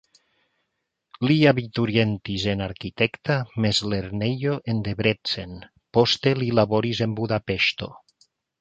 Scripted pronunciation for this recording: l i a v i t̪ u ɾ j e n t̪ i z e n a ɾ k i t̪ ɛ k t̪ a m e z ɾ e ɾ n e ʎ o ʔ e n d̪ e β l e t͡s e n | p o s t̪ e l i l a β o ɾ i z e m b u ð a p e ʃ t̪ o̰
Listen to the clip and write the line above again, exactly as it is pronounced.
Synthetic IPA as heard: l i a β i t̪ u ɾ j e n t̪ i z e n a ɾ k i t̪ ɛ k t̪ a m e z l e ɾ n e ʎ o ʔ e n d̪ e β ɾ e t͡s e n | p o s t̪ e l i l a β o ɾ i z e m b u ð a p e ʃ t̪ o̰

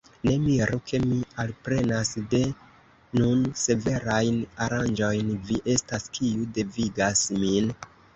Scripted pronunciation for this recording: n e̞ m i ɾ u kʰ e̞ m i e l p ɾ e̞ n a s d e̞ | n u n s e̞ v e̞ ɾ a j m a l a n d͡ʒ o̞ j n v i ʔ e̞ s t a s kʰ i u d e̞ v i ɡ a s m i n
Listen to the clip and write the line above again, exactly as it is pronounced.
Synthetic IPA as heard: n e̞ m i ɾ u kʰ e̞ m i a l p ɾ e̞ n a s d e̞ | n u n s e̞ v e̞ ɾ a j n a ɾ a n d͡ʒ o̞ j n v i ʔ e̞ s t a s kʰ i u d e̞ v i ɡ a s m i n

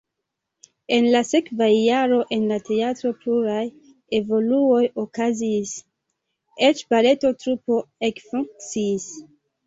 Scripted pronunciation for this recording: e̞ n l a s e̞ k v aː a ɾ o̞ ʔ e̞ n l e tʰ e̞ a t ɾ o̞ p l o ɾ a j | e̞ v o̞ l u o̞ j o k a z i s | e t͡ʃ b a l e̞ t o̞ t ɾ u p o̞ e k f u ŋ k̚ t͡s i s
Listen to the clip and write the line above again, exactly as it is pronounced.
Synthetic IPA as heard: e̞ n l a s e̞ k v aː a ɾ o̞ ʔ e̞ n l a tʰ e̞ a t ɾ o̞ p l u ɾ a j | e̞ v o̞ l u o̞ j o k a z i s | e t͡ʃ b a l e̞ t o̞ t ɾ u p o̞ e k f u ŋ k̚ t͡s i s

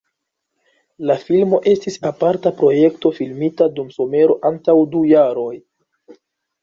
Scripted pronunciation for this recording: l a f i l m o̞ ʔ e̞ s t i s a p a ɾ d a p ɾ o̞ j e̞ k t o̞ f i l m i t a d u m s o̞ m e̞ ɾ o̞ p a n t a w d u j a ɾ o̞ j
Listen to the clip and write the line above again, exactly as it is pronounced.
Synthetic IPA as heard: l a f i l m o̞ ʔ e̞ s t i s a p a ɾ t a p ɾ o̞ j e̞ k t o̞ f i l m i t a d u m s o̞ m e̞ ɾ o̞ ʔ a n t a w d u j a ɾ o̞ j

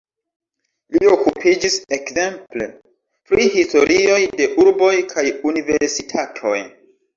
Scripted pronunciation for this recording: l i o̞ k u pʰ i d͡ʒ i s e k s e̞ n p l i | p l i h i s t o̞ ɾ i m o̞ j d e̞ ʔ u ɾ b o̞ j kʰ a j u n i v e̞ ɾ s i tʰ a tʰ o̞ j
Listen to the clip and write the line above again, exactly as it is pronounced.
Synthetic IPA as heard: l i o̞ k u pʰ i d͡ʒ i s e k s e̞ m p l e | p ɾ i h i s t o̞ ɾ i o̞ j d e̞ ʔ u ɾ b o̞ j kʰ a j u n i v e̞ ɾ s i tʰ a tʰ o̞ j

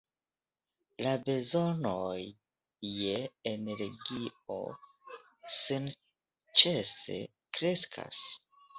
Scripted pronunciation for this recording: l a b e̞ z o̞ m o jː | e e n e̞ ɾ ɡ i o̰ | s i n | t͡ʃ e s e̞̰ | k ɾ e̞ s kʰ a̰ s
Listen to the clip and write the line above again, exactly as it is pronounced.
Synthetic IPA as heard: l a b e̞ z o̞ n o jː | e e n e̞ ɾ ɡ i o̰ | s i n | t͡ʃ e s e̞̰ | k ɾ e̞ s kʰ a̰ s

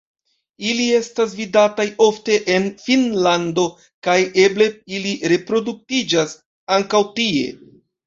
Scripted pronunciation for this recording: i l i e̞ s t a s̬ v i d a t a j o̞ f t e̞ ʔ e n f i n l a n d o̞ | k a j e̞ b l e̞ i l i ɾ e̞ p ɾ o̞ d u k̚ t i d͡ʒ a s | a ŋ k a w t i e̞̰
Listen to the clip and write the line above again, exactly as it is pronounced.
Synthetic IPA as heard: i l i e̞ s t a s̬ v i d a t a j o̞ f t e̞ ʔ e n f i n l a n d o̞ | k a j e̞ b l e̞ i l i ɾ e̞ p ɾ o̞ d u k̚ t i d͡ʒ a s | a ŋ k a w t i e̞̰

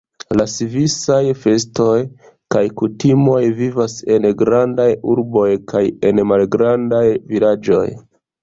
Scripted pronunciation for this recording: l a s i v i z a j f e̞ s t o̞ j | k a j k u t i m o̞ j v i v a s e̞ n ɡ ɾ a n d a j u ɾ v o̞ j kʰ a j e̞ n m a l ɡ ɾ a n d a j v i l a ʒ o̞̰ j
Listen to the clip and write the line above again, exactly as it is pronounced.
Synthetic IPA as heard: l a s i v i s a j f e̞ s t o̞ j | k a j k u t i m o̞ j v i v a s e̞ n ɡ ɾ a n d a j u ɾ b o̞ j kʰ a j e̞ n m a l ɡ ɾ a n d a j v i l a d͡ʒ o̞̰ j

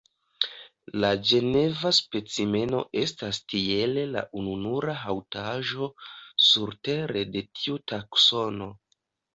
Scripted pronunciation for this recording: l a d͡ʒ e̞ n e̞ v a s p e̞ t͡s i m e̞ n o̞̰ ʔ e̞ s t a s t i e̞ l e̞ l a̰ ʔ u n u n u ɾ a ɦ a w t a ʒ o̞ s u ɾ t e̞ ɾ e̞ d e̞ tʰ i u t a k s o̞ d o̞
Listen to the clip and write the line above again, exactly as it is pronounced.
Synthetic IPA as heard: l a d͡ʒ e̞ n e̞ v a s p e̞ t͡s i m e̞ n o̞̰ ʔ e̞ s t a s t i e̞ l e̞ l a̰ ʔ u n u n u ɾ a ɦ a w t a ʒ o̞ s u ɾ t e̞ ɾ e̞ d e̞ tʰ i u t a k s o̞ n o̞

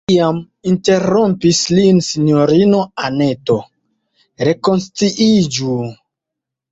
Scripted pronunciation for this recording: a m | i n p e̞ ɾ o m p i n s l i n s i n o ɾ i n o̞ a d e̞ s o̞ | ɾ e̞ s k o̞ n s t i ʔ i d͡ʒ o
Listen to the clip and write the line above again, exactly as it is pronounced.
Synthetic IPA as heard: a m | i n t e̞ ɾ o m p i s l i n s i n o ɾ i n o̞ a n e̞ t o̞ | ɾ e̞ k o̞ n s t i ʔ i d͡ʒ u

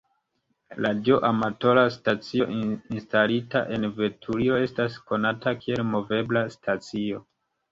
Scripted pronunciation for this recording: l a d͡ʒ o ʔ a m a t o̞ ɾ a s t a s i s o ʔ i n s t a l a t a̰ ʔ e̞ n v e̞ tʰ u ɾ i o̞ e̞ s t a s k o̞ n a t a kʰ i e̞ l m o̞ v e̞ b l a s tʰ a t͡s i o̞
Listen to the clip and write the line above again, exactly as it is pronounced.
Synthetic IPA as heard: l a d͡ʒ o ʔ a m a t o̞ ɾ a s t a t͡s i o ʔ i n s t a l i t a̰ ʔ e̞ n v e̞ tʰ u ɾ i o̞ e̞ s t a s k o̞ n a t a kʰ i e̞ l m o̞ v e̞ b l a s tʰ a t͡s i o̞

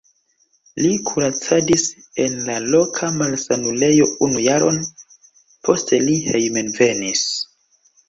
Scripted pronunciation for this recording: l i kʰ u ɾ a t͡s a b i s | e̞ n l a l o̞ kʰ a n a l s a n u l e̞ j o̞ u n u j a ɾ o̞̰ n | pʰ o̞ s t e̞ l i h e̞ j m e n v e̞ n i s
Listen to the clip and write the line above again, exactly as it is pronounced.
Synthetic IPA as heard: l i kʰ u ɾ a t͡s a d i s | e̞ n l a l o̞ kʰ a m a l s a n u l e̞ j o̞ u n u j a ɾ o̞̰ n | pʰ o̞ s t e̞ l i h e̞ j m e n v e̞ n i s

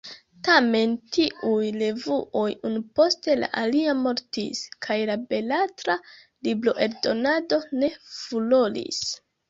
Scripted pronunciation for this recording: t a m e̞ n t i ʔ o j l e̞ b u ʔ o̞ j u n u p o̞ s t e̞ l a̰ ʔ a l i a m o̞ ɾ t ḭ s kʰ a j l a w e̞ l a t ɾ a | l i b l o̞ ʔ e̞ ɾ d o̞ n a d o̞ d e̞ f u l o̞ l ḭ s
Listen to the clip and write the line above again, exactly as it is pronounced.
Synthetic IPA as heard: t a m e̞ n t i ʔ u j l e̞ v u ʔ o̞ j u n u p o̞ s t e̞ l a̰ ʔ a l i a m o̞ ɾ t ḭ s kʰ a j l a b e̞ l a t ɾ a | l i b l o̞ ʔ e̞ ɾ d o̞ n a d o̞ n e̞ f u l o̞ l ḭ s

